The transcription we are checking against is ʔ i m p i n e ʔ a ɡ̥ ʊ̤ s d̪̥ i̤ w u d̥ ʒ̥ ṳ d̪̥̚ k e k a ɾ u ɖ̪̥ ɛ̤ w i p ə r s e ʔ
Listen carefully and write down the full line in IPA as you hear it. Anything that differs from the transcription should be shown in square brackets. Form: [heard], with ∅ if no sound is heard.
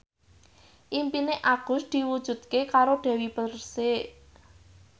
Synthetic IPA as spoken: ʔ i m p i n e ʔ a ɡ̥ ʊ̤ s d̪̥ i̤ w u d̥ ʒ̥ ṳ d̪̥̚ k e k a ɾ [o] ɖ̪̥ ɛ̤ w i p ə r s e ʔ